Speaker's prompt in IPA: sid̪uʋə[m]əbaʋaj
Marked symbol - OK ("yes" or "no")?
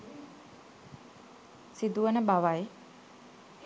no